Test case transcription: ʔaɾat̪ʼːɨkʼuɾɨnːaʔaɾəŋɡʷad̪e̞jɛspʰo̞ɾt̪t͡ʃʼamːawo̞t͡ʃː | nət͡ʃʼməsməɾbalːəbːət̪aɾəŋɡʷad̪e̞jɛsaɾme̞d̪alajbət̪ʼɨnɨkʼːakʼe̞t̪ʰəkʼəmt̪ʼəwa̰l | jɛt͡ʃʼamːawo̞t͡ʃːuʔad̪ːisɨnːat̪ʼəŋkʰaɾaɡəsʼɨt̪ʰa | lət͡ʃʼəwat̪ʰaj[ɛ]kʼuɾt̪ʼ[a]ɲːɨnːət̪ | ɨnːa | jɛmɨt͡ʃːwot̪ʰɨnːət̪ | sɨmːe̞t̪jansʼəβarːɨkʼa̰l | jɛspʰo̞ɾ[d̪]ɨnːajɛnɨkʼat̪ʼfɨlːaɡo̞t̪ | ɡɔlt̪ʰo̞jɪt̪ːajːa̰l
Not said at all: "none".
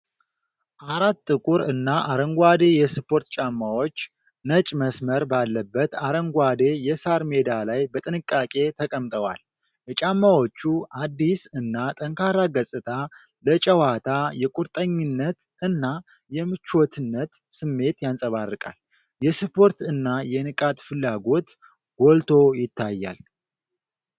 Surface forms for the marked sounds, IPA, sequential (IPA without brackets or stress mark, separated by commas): ɛ, ə, t̪